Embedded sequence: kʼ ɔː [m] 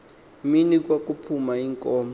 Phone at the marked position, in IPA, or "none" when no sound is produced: m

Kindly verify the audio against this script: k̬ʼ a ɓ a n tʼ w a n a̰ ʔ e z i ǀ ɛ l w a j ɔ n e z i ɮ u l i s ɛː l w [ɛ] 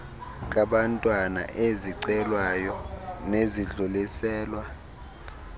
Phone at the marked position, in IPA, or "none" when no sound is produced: a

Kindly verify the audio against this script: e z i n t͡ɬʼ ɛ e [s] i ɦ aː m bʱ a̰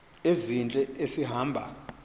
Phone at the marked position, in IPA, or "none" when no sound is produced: s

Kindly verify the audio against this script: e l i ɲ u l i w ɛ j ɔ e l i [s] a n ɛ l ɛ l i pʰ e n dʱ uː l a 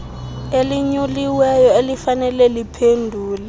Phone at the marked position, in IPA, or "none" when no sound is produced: f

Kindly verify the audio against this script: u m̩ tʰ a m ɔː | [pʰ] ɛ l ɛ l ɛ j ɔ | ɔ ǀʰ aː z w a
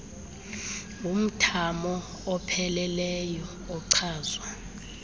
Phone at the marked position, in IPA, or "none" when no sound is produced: pʰ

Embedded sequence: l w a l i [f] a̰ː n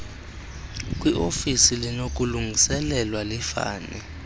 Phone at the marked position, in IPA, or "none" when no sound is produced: f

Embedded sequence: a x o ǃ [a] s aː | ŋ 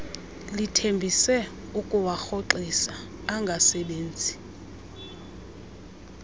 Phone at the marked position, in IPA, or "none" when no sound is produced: i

